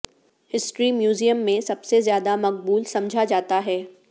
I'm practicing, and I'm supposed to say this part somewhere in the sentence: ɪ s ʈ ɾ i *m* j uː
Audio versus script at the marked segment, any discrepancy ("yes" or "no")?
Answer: no